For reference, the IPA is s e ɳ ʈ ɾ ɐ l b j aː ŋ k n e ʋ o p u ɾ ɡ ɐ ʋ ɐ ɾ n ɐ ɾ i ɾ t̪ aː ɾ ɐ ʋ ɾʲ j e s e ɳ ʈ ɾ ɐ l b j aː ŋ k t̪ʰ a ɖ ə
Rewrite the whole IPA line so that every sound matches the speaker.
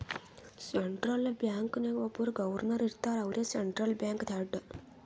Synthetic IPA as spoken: s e ɳ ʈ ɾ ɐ l b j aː ŋ k n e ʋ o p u ɾ ɡ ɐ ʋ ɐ ɾ n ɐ ɾ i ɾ t̪ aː ɾ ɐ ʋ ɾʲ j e s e ɳ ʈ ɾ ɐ l b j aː ŋ k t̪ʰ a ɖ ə